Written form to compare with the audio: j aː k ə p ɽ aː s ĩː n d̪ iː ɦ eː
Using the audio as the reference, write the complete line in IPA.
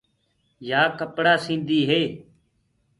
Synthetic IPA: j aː k ə p ɽ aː s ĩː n d̪ iː ɦ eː

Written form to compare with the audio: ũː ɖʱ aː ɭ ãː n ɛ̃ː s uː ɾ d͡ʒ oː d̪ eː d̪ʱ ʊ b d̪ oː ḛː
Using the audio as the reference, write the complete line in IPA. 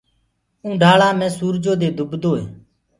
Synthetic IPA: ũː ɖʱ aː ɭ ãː m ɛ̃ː s uː ɾ d͡ʒ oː d̪ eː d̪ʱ ʊ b d̪ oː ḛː

